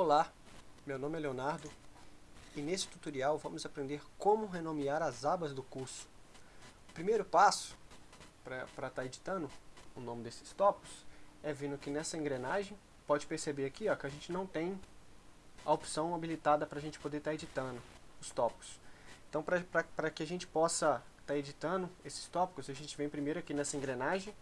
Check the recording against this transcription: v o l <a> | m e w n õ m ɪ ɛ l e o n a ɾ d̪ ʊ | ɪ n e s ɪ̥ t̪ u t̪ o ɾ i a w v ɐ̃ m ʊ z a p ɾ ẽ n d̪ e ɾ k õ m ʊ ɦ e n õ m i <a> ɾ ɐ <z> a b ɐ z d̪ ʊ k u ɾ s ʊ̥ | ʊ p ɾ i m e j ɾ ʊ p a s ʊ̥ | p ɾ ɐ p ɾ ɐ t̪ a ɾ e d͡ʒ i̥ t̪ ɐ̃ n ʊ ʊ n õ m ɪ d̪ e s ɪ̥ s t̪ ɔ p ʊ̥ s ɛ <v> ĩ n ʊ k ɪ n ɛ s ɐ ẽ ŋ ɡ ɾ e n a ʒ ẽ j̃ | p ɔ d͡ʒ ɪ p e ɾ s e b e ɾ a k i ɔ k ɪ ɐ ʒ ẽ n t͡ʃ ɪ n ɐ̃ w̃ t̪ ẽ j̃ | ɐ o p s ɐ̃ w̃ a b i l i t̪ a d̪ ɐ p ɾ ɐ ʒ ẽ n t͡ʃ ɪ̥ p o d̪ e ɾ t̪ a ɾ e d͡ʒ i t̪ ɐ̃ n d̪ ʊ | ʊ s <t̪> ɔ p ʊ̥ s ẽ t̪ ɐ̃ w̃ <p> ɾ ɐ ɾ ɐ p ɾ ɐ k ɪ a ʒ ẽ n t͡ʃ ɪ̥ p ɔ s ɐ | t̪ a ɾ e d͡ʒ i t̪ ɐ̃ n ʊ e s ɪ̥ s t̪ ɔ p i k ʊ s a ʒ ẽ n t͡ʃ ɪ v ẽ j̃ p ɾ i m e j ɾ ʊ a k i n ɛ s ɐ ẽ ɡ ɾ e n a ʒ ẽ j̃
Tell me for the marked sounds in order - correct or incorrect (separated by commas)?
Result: correct, correct, correct, correct, correct, correct